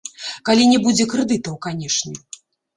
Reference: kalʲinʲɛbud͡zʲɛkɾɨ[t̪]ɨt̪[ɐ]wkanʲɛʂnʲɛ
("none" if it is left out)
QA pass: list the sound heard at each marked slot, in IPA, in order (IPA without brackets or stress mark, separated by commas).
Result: d̪, ɐ